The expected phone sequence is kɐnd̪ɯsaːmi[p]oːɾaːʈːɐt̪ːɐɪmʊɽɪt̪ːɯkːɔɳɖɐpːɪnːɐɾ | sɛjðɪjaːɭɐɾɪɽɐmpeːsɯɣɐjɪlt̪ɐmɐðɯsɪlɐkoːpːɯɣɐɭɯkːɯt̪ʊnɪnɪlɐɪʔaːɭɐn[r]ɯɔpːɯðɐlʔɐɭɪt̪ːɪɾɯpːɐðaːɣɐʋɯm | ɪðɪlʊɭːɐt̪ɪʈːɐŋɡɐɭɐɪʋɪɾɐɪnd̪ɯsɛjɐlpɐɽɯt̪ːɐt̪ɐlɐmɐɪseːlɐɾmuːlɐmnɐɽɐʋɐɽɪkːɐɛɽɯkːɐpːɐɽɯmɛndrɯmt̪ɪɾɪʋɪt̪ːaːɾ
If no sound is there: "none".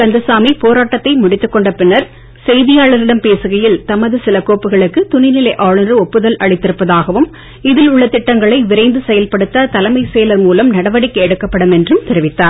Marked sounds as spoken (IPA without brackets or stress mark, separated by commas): p, r